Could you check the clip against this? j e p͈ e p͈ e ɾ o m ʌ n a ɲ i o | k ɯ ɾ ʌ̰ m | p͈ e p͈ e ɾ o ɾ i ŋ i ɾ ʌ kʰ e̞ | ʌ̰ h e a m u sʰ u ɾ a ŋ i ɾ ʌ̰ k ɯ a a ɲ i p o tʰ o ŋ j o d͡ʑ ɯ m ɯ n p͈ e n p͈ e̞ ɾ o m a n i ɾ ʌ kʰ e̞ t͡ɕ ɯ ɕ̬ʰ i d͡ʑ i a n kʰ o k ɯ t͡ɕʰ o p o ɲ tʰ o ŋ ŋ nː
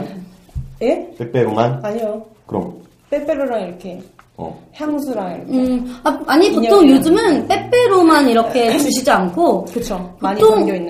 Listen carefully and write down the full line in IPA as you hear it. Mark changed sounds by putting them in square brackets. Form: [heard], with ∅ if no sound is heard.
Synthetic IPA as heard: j e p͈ e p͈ e ɾ o m [a] n a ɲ i o | k ɯ ɾ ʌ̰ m | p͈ e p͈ e ɾ o ɾ [a] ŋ i ɾ ʌ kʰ e̞ | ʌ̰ h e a m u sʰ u ɾ a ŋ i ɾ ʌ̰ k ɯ a a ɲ i p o tʰ o ŋ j o d͡ʑ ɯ m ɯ n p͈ e [∅] p͈ e̞ ɾ o m a n i ɾ ʌ kʰ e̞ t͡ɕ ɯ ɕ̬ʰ i d͡ʑ i a n kʰ o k ɯ t͡ɕʰ o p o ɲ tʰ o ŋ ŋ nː